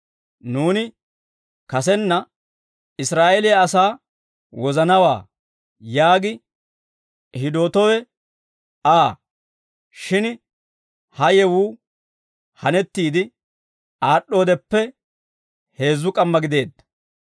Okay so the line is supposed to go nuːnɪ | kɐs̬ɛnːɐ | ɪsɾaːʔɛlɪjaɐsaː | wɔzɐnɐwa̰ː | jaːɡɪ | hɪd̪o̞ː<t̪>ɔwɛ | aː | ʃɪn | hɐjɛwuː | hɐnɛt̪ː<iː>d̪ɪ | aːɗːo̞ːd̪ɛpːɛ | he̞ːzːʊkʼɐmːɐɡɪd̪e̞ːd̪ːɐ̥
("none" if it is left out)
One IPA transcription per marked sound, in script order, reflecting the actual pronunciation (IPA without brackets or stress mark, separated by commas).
t̪, iː